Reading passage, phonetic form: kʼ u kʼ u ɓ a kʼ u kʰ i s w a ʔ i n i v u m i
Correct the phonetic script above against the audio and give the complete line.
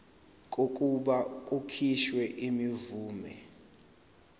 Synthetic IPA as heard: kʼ o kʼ u ɓ a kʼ u kʰ i ʃ w ɛ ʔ i m i v uː m ɛ